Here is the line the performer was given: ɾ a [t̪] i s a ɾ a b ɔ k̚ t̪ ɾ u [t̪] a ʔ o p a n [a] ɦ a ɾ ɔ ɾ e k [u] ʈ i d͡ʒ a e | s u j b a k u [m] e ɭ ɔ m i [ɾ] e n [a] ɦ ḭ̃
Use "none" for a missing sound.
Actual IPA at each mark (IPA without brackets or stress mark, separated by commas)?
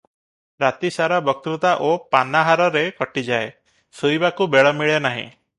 t̪, t̪, a, ɔ, b, ɭ, a